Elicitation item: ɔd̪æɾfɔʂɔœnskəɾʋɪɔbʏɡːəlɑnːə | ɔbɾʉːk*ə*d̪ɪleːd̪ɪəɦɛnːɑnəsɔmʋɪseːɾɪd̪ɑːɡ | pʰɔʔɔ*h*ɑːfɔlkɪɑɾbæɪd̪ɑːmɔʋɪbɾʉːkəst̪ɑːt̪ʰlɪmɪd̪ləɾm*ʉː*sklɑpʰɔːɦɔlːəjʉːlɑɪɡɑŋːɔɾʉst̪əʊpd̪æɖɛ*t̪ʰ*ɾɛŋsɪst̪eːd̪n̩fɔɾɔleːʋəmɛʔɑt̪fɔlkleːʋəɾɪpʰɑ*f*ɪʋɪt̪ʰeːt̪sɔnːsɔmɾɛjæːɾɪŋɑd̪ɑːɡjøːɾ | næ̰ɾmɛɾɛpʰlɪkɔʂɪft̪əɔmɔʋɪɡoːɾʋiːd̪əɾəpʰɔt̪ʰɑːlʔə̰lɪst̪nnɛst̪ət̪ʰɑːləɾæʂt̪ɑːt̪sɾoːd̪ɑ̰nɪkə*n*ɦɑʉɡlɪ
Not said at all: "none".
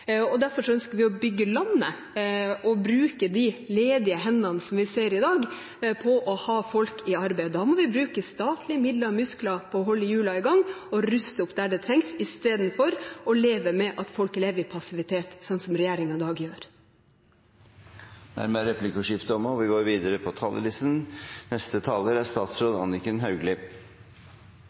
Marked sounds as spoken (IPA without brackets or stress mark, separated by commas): ə, h, ʉ, t̪ʰ, s, n